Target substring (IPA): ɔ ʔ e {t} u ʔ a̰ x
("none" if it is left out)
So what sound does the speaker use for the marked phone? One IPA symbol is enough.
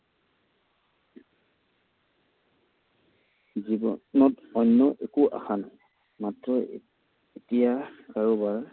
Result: k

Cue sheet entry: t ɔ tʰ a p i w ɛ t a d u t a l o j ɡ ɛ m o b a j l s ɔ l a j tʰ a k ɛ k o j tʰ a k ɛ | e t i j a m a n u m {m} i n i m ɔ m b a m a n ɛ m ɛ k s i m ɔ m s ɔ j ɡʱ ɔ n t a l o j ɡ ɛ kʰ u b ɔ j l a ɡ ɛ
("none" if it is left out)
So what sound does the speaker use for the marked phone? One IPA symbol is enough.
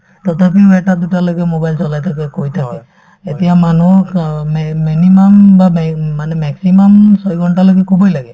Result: m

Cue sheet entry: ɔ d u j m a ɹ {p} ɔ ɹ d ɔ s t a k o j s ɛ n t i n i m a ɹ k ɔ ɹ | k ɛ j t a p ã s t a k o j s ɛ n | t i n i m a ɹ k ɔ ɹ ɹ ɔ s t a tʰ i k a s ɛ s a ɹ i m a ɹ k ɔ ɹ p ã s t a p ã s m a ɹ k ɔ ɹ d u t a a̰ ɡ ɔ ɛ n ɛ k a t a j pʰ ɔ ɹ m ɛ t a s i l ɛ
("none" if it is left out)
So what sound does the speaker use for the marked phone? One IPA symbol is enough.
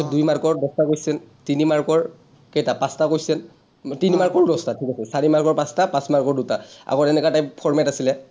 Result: k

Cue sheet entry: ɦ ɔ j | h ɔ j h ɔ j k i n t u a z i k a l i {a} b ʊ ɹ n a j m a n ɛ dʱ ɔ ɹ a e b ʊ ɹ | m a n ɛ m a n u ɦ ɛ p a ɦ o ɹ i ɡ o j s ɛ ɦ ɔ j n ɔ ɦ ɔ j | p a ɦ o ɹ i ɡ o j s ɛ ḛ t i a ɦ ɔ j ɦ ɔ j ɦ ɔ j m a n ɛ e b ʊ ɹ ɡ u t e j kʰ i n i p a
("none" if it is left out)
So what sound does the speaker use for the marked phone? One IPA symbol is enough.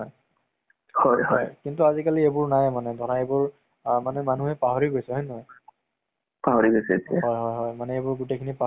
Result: e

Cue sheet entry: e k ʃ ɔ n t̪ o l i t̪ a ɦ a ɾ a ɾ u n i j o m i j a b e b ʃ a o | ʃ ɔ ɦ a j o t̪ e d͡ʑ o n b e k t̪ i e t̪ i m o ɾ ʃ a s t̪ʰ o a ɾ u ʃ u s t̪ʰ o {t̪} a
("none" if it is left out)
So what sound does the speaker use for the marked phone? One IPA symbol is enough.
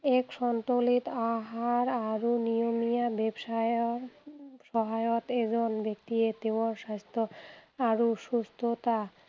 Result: t̪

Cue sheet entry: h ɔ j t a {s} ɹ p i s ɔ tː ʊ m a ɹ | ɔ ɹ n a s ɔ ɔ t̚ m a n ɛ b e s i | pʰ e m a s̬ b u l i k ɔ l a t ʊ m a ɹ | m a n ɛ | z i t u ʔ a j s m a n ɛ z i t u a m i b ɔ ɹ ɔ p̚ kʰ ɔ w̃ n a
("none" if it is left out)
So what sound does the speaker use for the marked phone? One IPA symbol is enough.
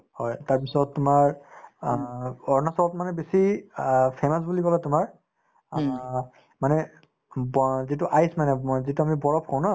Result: none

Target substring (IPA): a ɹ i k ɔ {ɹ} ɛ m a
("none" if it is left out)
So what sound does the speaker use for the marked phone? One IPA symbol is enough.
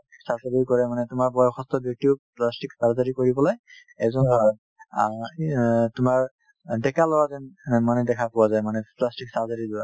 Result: ɹ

